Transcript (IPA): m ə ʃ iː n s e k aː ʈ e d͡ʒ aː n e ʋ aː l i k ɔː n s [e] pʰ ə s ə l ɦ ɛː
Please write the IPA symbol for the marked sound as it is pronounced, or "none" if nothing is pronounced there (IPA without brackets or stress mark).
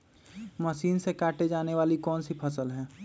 i